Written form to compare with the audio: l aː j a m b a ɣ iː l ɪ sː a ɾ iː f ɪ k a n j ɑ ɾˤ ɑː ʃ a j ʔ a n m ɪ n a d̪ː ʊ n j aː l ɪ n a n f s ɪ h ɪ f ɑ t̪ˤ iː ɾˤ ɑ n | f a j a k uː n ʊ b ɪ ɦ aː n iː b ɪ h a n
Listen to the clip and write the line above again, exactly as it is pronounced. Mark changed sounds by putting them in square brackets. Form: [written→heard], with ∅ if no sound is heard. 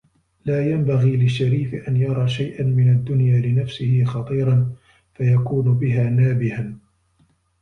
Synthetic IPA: l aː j a m b a ɣ iː l ɪ [sː→ʃː] a ɾ iː f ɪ [k→ʔ] a n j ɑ ɾˤ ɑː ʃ a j ʔ a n m ɪ n a d̪ː ʊ n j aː l ɪ n a [n→∅] f s ɪ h ɪ [f→x] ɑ t̪ˤ iː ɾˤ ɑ n | f a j a k uː n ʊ b ɪ ɦ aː n [iː→aː] b ɪ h a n